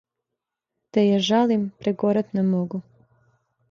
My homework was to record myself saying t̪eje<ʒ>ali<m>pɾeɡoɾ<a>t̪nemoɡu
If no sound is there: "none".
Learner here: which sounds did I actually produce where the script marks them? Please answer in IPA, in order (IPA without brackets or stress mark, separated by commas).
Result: ʒ, m, a